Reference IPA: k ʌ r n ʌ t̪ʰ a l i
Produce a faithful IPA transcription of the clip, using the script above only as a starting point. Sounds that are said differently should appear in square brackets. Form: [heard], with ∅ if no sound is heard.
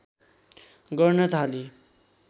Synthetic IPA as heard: [ɡ] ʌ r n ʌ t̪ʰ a l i

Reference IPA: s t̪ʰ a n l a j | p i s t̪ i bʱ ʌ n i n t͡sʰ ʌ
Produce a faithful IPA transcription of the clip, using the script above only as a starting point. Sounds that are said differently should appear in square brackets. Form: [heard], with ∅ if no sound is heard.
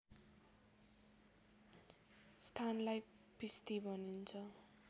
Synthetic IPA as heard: s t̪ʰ a n l a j | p i s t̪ i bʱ ʌ n i n t͡sʰ ʌ

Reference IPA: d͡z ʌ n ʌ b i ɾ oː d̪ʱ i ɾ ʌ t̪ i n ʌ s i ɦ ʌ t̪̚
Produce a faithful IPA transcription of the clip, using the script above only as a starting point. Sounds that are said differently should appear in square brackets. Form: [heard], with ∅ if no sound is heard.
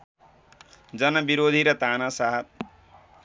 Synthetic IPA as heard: d͡z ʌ n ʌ b i ɾ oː d̪ʱ i ɾ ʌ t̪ [a] n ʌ s [a] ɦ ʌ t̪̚

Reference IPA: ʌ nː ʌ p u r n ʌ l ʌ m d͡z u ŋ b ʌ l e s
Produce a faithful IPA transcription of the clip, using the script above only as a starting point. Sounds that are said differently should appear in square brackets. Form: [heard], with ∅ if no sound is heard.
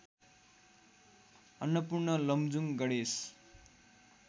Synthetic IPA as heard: ʌ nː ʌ p u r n ʌ l ʌ m d͡z u ŋ [ɡ] ʌ [ɽ] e s

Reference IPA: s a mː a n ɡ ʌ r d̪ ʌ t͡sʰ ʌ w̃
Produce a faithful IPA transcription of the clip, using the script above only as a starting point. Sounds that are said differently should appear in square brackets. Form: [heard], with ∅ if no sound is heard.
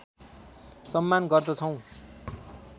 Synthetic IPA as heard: s [ʌ] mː a n ɡ ʌ r d̪ ʌ t͡sʰ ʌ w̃

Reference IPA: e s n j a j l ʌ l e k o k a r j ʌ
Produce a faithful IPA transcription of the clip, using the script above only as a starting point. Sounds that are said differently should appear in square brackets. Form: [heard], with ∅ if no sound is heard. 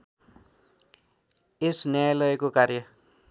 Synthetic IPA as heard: e s n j a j l ʌ [∅] e k o k a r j ʌ

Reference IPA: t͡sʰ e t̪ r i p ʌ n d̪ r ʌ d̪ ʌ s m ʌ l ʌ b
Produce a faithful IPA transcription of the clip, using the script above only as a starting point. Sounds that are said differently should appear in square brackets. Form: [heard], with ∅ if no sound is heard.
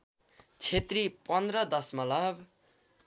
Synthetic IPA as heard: t͡sʰ e t̪ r i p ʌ n d̪ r ʌ d̪ ʌ s m ʌ l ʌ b

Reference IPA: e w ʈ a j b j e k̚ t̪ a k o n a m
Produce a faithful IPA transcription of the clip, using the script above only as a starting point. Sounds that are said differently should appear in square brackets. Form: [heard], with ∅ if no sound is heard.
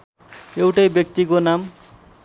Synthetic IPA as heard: e w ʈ a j b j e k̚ t̪ [i] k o n a m

